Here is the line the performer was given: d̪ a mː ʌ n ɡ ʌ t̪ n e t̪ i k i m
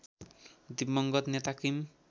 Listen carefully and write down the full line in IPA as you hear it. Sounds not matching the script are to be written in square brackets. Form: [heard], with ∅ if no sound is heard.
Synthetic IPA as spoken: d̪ [i] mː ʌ [ŋ] ɡ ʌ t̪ n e t̪ [a] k i m